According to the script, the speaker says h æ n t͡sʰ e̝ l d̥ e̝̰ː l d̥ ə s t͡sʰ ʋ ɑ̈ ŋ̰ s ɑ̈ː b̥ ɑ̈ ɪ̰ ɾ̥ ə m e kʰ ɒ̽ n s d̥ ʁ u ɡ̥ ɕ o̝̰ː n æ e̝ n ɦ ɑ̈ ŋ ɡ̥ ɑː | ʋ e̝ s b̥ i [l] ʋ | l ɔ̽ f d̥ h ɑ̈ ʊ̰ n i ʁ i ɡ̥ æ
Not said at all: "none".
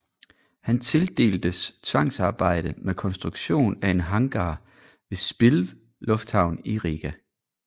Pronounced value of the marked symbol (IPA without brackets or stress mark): l